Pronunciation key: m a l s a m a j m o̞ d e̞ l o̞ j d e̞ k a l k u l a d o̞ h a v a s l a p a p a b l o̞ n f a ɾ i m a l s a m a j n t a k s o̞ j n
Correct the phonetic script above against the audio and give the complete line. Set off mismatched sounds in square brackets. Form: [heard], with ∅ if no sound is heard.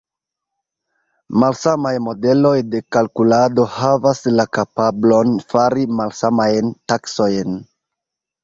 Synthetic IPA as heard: m a l s a m a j m o̞ d e̞ l o̞ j d e̞ k a l k u l a d o̞ h a v a s l a [k] a p a b l o̞ n f a ɾ i m a l s a m a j n t a k s o̞ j n

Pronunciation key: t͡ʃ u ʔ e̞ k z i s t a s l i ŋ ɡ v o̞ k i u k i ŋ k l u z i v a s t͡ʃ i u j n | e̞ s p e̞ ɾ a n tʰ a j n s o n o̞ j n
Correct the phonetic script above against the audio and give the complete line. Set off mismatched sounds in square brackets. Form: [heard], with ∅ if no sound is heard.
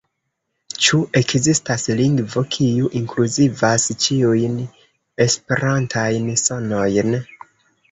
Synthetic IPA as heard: t͡ʃ u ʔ e̞ k z i s t a s l i ŋ ɡ v o̞ [kʰ] i u [ʔ] i ŋ k l u z i v a s t͡ʃ i u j n | e̞ s p e̞ ɾ a n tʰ a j n s o n o̞ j n

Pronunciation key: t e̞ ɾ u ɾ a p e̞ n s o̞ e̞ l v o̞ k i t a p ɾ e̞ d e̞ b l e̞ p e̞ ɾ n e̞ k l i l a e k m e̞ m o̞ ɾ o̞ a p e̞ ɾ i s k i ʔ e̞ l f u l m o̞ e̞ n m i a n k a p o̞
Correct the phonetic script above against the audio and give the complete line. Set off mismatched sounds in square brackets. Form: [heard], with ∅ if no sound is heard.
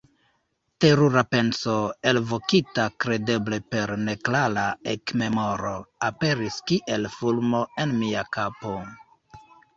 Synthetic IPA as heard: t e̞ ɾ u ɾ a p e̞ n s o̞ e̞ l v o̞ k i t a [k] ɾ e̞ d e̞ b l e̞ p e̞ ɾ n e̞ k l [a] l a e k m e̞ m o̞ ɾ o̞ a p e̞ ɾ i s k i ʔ e̞ l f u l m o̞ e̞ n m i a [∅] k a p o̞

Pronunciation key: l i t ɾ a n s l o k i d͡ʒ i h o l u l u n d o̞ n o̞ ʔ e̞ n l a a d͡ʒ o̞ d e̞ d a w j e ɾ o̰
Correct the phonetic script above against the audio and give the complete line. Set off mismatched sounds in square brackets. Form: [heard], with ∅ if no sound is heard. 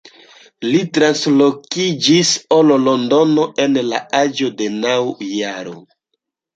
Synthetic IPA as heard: l i t ɾ a n s l o k i d͡ʒ i [s] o l [o] l [o] n d o̞ n o̞ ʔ e̞ n l a a d͡ʒ o̞ d e̞ [n] a w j [a] ɾ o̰

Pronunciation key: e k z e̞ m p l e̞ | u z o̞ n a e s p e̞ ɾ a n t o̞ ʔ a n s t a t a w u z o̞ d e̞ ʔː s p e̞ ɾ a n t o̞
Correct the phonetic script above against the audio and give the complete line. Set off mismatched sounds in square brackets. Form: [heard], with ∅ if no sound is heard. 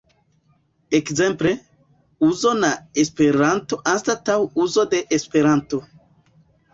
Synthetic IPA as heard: e k z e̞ m p l e̞ | u z o̞ n a e s p e̞ ɾ a n t o̞ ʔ a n s t a t a w u z o̞ d e̞ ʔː s p e̞ ɾ a n t o̞

